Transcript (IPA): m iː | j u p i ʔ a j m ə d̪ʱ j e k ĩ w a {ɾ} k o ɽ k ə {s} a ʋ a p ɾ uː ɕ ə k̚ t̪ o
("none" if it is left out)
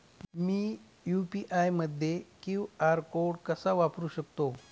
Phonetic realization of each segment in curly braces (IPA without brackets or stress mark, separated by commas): ɾ, s